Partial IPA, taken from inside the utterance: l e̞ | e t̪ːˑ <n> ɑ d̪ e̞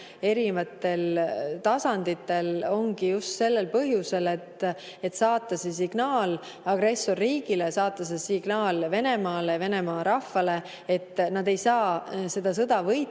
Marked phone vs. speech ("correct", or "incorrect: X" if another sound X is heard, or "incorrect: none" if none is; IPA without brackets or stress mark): correct